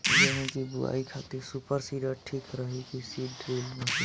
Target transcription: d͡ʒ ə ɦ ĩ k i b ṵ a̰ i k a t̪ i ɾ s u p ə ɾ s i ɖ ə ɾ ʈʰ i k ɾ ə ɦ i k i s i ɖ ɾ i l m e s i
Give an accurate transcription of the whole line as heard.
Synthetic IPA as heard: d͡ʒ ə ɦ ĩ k i b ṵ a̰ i kʰ a t̪ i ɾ s u p ə ɾ s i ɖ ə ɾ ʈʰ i k ɾ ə ɦ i k i s i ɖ ɾ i l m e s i